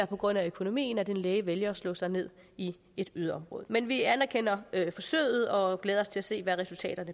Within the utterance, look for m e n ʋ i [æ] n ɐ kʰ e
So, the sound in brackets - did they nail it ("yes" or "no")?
yes